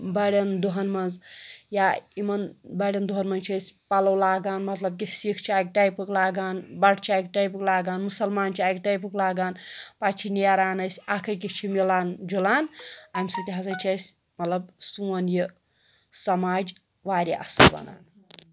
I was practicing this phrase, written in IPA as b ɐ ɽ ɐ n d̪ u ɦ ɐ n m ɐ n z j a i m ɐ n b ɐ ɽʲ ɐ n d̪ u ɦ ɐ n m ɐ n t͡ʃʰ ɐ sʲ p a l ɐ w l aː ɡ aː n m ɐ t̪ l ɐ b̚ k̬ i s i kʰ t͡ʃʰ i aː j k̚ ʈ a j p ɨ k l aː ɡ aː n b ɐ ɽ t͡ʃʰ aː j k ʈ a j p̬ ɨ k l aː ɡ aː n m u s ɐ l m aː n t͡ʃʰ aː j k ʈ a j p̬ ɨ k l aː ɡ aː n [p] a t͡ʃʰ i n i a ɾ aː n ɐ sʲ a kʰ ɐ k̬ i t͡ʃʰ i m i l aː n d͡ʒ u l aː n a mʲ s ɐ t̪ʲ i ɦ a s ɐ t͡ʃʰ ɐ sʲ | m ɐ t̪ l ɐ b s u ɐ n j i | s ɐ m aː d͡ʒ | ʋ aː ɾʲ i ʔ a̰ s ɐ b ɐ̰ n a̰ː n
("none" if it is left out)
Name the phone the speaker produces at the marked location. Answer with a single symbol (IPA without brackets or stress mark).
p